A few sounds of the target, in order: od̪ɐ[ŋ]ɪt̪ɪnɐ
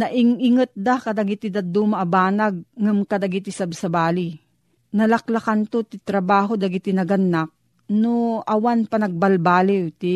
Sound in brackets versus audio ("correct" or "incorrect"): incorrect